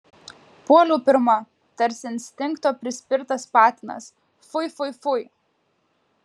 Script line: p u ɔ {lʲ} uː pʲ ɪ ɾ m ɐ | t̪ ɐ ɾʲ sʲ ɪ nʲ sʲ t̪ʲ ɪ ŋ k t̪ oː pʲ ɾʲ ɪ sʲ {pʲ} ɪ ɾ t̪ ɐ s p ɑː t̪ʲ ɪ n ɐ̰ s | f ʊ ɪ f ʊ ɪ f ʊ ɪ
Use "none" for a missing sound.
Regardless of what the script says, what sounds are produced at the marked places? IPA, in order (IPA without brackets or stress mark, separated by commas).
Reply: lʲ, pʲ